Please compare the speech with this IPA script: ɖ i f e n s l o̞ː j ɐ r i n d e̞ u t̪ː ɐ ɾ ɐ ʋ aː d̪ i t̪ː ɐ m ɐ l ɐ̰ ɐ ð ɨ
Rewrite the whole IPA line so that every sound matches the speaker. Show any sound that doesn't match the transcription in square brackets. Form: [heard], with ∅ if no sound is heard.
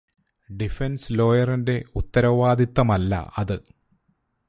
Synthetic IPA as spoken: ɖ i f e n s l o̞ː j ɐ r i n d e̞ u t̪ː ɐ ɾ ɐ ʋ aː d̪ i t̪ː ɐ m ɐ [lː] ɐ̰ ɐ ð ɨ